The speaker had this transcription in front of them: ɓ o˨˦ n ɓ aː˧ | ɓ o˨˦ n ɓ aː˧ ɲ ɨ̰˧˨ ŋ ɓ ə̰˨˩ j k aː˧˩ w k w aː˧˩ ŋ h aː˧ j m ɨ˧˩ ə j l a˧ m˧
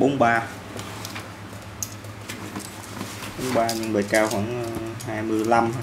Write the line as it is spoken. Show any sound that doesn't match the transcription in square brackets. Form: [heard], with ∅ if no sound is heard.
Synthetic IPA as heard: ɓ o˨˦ n ɓ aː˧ | ɓ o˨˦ n ɓ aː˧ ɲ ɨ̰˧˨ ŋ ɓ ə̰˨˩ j k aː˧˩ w [x] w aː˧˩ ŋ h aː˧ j m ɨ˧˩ ə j l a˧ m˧

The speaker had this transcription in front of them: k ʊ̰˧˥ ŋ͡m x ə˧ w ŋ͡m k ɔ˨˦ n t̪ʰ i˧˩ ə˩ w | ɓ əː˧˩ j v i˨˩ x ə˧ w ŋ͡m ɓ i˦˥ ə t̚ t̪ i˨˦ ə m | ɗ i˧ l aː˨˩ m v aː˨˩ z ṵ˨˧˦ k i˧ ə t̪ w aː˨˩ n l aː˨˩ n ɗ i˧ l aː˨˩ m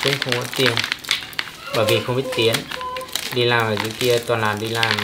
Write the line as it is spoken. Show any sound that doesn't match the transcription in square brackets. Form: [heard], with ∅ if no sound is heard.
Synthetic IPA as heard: k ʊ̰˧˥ ŋ͡m x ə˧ w ŋ͡m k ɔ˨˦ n [t̪] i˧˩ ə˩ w | ɓ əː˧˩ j v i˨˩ x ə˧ w ŋ͡m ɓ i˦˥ ə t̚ t̪ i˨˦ ə [n] | ɗ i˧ l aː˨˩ m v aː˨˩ z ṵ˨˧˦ k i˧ ə t̪ w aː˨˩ n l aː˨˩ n ɗ i˧ l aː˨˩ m

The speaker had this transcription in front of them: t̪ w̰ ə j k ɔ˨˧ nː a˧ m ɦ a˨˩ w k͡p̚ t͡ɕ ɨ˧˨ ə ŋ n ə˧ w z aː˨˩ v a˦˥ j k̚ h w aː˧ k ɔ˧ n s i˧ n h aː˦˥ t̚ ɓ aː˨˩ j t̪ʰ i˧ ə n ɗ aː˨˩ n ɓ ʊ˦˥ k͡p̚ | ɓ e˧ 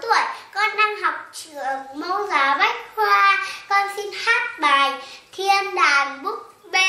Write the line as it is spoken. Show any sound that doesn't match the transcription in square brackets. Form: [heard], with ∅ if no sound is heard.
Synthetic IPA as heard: t̪ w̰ ə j k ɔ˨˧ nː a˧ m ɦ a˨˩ w k͡p̚ t͡ɕ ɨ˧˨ ə ŋ [m] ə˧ w z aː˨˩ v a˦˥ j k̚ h w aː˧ k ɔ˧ n s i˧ n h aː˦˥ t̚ ɓ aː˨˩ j t̪ʰ i˧ ə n ɗ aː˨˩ n ɓ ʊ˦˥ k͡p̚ | ɓ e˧

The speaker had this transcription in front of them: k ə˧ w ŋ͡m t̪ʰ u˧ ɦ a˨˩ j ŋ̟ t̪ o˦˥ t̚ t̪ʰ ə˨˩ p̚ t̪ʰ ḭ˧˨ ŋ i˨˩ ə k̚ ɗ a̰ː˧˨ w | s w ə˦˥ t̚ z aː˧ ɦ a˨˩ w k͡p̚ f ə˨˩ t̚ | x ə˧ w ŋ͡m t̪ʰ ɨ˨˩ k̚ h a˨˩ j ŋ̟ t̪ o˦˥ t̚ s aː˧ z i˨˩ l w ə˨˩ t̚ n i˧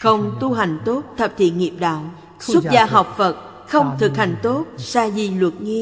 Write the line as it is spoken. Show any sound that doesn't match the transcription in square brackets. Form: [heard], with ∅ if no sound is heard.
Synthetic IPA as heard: [x] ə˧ w ŋ͡m [t̪] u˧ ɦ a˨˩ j ŋ̟ t̪ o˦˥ t̚ t̪ʰ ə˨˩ p̚ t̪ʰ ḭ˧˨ ŋ i˨˩ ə [p̚] ɗ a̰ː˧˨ w | s w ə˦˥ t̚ z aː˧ ɦ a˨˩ w k͡p̚ f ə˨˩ t̚ | x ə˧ w ŋ͡m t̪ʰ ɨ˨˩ k̚ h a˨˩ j ŋ̟ t̪ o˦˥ t̚ s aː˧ z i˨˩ l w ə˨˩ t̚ [ŋ] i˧

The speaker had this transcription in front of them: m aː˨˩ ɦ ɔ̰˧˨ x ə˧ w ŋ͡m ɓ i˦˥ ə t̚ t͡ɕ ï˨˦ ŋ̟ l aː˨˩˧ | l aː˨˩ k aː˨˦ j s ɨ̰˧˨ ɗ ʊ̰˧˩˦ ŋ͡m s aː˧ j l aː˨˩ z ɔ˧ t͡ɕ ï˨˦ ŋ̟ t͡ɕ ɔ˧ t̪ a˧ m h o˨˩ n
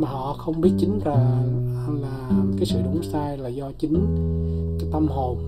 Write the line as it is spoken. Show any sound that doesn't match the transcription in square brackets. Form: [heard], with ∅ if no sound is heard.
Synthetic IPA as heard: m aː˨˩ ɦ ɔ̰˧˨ x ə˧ w ŋ͡m ɓ i˦˥ ə t̚ t͡ɕ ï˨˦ ŋ̟ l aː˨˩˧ | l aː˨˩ k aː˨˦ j s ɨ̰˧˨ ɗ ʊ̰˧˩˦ ŋ͡m s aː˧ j l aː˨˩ z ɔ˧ t͡ɕ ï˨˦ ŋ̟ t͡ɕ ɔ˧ t̪ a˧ m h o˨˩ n

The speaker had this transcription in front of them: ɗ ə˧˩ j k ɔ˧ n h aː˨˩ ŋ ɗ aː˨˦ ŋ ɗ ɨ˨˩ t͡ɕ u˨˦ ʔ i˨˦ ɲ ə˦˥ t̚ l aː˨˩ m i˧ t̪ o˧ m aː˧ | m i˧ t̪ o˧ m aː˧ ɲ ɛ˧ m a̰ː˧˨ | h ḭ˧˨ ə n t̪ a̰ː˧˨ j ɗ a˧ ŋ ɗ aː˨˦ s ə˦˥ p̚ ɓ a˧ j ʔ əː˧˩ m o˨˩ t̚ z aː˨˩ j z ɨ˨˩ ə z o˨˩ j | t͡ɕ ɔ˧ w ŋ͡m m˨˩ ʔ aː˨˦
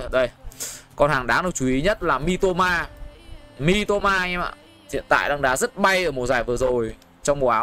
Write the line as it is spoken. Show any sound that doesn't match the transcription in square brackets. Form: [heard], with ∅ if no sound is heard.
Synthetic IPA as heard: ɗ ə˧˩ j k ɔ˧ n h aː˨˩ ŋ ɗ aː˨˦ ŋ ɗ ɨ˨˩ t͡ɕ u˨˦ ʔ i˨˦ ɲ ə˦˥ t̚ l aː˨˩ m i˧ t̪ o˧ m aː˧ | m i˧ t̪ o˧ m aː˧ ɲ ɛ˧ m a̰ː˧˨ | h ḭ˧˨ ə n t̪ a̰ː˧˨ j ɗ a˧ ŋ ɗ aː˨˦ [z] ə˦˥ [t̚] ɓ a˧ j ʔ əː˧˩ m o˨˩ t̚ z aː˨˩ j [v] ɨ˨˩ ə z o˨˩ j | t͡ɕ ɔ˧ w ŋ͡m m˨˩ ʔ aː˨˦

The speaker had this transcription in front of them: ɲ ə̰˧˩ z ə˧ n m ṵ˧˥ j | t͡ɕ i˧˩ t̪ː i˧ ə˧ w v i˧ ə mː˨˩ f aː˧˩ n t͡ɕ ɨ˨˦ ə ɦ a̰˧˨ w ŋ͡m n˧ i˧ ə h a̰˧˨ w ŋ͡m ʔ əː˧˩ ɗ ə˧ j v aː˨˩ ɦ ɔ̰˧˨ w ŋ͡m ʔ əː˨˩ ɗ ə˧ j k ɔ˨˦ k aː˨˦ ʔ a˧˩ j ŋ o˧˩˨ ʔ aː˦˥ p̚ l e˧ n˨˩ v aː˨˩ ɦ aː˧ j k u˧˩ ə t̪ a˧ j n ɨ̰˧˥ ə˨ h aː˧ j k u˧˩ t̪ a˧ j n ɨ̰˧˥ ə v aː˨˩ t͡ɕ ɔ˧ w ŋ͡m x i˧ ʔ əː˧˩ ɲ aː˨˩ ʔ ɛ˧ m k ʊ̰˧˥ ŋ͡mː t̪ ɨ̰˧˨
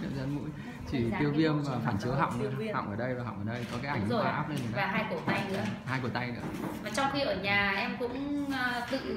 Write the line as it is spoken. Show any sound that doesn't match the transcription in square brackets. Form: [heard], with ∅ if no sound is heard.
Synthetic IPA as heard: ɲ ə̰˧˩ z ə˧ n m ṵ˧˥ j | t͡ɕ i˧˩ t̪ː i˧ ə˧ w v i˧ ə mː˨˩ f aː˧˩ n t͡ɕ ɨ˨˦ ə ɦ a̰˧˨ w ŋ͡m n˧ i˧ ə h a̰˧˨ w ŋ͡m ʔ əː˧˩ ɗ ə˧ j v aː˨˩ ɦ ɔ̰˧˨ w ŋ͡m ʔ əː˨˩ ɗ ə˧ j k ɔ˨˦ k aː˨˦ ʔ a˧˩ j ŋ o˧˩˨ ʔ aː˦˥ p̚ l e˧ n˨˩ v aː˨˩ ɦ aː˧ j k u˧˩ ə t̪ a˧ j n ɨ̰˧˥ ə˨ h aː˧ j k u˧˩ t̪ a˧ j n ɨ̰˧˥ ə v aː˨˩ t͡ɕ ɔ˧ w ŋ͡m x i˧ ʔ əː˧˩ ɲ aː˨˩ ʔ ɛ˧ m k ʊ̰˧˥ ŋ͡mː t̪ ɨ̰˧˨

